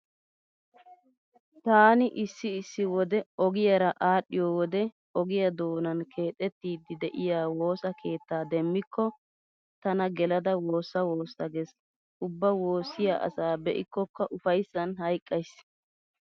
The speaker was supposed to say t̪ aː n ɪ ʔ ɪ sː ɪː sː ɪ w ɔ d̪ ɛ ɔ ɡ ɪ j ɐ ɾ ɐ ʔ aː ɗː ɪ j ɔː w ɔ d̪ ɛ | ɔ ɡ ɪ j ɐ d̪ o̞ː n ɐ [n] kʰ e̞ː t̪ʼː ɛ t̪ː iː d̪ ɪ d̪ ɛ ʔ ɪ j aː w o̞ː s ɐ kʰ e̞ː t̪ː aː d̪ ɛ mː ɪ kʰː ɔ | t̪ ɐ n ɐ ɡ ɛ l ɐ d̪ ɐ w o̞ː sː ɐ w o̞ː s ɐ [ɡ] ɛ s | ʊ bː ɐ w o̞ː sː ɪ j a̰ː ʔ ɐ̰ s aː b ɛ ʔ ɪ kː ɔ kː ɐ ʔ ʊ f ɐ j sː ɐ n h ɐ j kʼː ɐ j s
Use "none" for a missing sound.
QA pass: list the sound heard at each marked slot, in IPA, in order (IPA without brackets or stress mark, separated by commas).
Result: n, ɡ